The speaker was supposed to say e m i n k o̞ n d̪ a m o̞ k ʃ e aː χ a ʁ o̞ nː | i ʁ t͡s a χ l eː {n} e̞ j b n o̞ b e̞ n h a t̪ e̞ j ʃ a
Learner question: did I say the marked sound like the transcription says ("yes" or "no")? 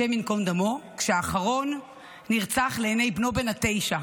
yes